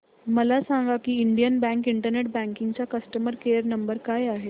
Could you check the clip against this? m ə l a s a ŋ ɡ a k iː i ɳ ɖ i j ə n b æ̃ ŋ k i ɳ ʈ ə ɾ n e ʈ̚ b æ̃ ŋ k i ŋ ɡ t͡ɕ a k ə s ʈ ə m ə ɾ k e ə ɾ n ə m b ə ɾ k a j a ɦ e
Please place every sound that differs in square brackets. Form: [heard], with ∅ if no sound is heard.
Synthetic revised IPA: m ə l a s a ŋ ɡ a k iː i ɳ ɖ i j ə n b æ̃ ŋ k i ɳ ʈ ə ɾ n e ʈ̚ b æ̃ ŋ k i ŋ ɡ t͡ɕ a k ə s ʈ ə m ə ɾ k e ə ɾ n ə m b ə ɾ k a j a ɦ e